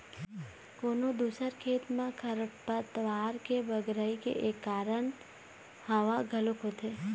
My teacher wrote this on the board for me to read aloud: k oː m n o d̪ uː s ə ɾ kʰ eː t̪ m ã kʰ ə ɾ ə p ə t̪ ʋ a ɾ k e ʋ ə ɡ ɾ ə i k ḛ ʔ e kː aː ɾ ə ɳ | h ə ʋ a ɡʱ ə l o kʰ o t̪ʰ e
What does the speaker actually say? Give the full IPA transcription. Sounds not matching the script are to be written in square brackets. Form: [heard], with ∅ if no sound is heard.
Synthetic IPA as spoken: k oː [∅] n o d̪ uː s ə ɾ kʰ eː t̪ m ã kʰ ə ɾ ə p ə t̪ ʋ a ɾ k e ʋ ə ɡ ɾ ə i k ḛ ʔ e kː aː ɾ ə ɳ | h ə ʋ a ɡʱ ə l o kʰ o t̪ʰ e

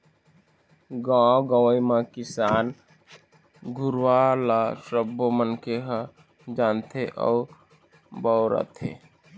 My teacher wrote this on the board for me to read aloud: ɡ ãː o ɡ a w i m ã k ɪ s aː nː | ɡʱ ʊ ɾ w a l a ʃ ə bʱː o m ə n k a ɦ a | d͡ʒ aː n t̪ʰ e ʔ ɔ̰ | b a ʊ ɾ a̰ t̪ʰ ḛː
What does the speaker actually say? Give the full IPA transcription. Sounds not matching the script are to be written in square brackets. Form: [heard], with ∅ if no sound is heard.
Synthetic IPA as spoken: ɡ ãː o ɡ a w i m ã k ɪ s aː [n] | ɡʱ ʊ ɾ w a l a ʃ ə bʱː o m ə n k [e] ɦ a | d͡ʒ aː n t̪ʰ e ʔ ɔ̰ | b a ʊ ɾ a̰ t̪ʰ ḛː

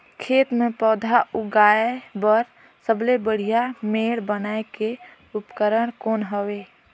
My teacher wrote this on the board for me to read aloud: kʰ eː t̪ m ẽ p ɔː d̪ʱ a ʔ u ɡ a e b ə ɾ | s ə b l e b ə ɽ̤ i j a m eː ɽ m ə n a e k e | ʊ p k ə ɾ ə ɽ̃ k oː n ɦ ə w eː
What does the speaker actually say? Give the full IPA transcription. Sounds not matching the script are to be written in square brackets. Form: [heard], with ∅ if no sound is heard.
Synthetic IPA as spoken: kʰ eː t̪ m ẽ p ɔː d̪ʱ a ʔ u ɡ a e b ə ɾ | s ə b l e b ə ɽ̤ i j a m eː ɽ [b] ə n a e k e | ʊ p k ə ɾ ə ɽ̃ k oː n ɦ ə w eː

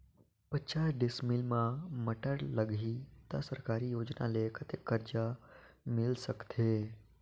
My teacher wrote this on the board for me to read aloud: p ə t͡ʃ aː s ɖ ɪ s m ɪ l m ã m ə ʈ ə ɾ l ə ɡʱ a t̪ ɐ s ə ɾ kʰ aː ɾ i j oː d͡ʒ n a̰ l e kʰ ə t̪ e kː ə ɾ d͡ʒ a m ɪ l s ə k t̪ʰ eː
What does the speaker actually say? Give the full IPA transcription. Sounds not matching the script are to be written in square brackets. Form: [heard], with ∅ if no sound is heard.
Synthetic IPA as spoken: p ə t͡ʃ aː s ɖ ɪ s m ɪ l m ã m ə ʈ ə ɾ l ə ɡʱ [i] t̪ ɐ s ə ɾ [k] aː ɾ i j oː d͡ʒ n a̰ l e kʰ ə t̪ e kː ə ɾ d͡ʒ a m ɪ l s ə k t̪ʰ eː

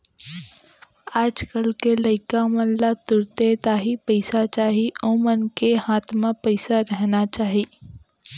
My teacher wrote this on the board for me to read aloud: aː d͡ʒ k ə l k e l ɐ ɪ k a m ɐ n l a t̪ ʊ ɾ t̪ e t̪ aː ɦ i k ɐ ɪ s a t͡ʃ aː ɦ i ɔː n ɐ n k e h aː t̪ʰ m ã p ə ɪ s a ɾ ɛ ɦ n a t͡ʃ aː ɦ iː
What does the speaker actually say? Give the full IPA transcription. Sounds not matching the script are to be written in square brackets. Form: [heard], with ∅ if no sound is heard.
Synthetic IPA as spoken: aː d͡ʒ k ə l k e l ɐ ɪ k a m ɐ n l a t̪ ʊ ɾ t̪ e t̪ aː ɦ i [p] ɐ ɪ s a t͡ʃ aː ɦ i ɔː [m] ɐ n k e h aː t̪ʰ m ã p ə ɪ s a ɾ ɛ ɦ n a t͡ʃ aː ɦ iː

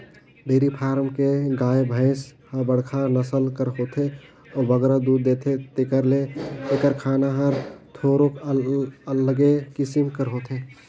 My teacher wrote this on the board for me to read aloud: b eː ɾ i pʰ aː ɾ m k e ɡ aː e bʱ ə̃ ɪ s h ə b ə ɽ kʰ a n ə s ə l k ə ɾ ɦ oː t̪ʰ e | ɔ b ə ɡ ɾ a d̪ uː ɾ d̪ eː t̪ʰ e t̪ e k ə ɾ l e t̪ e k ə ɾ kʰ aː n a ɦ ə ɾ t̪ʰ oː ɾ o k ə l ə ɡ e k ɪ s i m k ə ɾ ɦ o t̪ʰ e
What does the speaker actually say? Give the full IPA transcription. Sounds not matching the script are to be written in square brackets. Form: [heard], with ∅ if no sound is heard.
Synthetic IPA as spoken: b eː ɾ i pʰ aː ɾ m k e ɡ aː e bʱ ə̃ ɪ s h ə b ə ɽ kʰ a n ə s ə l k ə ɾ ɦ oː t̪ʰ e | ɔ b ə ɡ ɾ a d̪ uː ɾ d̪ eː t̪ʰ e t̪ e k ə ɾ l e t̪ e k ə ɾ kʰ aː n a ɦ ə ɾ t̪ʰ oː ɾ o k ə l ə ɡ e k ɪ s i m k ə ɾ ɦ o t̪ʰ e

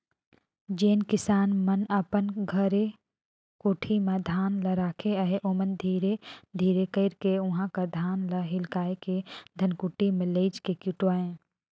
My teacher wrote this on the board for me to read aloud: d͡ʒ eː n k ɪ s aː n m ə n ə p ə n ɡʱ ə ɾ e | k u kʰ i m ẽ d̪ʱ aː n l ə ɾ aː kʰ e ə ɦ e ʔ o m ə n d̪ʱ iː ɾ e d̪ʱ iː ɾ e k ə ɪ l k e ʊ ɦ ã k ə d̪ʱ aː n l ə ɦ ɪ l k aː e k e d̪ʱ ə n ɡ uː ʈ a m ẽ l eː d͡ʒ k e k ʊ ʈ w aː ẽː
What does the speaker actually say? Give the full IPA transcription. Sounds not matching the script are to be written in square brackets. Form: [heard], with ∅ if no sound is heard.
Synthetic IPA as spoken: d͡ʒ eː n k ɪ s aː n m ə n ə p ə n ɡʱ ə ɾ e | k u [ʈʰ] i m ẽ d̪ʱ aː n l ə ɾ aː kʰ e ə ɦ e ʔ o m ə n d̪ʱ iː ɾ e d̪ʱ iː ɾ e k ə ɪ [ɾ] k e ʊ ɦ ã k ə d̪ʱ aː n l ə ɦ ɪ l k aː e k e d̪ʱ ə n [k] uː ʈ [i] m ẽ l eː d͡ʒ k e k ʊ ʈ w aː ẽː

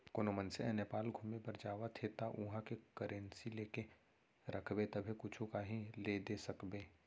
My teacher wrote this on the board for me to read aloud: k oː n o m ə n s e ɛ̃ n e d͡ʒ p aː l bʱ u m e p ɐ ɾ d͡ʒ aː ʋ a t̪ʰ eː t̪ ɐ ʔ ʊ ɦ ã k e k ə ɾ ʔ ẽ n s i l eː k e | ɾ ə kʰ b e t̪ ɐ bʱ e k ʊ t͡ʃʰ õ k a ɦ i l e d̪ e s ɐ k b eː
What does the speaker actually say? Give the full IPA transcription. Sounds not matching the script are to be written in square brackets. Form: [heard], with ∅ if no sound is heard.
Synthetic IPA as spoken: k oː n o m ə n s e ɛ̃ n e [∅] p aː l [ɡʱ] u m e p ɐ ɾ d͡ʒ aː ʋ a t̪ʰ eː t̪ [a] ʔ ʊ ɦ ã k e k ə ɾ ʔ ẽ n s i l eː k e | ɾ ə kʰ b e t̪ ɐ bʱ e k ʊ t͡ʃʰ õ k a ɦ i l e d̪ e s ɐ k b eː

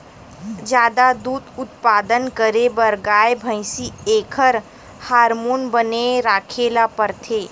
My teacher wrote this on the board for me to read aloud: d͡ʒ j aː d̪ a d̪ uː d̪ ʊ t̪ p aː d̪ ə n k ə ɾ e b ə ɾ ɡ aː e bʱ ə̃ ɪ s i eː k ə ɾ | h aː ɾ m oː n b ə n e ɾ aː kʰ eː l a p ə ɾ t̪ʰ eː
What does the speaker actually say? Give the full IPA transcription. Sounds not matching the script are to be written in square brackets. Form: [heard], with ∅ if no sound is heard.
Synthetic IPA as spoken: d͡ʒ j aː d̪ a d̪ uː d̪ ʊ t̪ p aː d̪ ə n k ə ɾ e b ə ɾ ɡ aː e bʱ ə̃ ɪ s i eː [kʰ] ə ɾ | h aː ɾ m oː n b ə n e ɾ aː kʰ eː l a p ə ɾ t̪ʰ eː

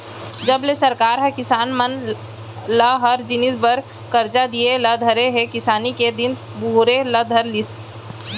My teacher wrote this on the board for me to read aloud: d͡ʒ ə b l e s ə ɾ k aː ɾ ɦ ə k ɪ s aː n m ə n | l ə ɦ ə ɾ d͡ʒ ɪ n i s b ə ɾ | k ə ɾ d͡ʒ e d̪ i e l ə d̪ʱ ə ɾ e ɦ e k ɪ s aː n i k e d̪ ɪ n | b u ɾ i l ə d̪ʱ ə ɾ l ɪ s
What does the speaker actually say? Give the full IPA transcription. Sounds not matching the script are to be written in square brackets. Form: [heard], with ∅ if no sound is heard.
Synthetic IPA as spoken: d͡ʒ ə b l e s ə ɾ k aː ɾ ɦ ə k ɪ s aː n m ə n | l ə ɦ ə ɾ d͡ʒ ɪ n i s b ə ɾ | k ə ɾ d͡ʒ [a] d̪ i e l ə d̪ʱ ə ɾ e ɦ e k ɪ s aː n i k e d̪ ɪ n | b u ɾ [e] l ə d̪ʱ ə ɾ l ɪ s

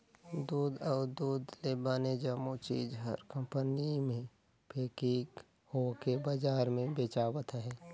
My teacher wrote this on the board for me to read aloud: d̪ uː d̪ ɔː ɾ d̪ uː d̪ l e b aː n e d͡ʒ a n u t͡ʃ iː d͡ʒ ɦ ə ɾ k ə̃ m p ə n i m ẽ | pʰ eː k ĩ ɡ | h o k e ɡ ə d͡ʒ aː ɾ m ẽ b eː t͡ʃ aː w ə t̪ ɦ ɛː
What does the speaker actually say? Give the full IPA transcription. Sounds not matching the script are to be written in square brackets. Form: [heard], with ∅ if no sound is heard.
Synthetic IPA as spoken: d̪ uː d̪ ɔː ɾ d̪ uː d̪ l e b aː n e d͡ʒ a [m] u t͡ʃ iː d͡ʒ ɦ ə ɾ k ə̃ m p ə n i m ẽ | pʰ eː k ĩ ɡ | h o k e [b] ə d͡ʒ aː ɾ m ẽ b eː t͡ʃ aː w ə t̪ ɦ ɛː

